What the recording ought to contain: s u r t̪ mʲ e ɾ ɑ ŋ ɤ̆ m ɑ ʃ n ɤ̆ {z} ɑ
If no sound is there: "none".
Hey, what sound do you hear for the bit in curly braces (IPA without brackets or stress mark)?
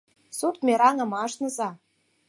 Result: z